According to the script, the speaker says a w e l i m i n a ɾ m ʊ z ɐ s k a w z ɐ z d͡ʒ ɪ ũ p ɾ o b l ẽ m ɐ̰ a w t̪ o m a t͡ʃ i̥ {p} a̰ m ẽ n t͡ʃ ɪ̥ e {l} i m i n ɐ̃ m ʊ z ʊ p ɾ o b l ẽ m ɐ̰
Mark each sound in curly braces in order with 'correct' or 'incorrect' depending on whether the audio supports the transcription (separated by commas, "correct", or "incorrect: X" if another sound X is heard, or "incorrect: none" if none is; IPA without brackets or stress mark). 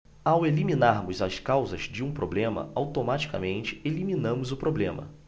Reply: incorrect: k, correct